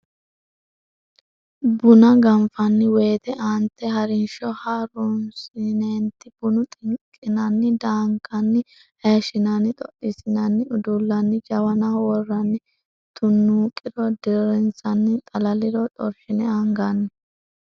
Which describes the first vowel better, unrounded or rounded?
rounded